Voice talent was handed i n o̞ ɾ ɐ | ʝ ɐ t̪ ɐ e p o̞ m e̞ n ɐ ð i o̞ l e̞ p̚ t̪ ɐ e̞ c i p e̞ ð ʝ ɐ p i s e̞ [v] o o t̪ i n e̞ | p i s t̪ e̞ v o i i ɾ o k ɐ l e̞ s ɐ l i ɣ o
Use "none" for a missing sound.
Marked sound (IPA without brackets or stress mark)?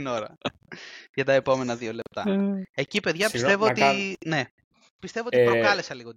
v